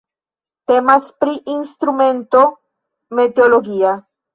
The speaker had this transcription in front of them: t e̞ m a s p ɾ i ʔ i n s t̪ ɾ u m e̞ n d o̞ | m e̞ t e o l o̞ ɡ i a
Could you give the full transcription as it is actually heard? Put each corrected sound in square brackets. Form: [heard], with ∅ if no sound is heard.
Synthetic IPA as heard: t e̞ m a s p ɾ i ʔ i n s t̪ ɾ u m e̞ n [t] o̞ | m e̞ t e o l o̞ ɡ i a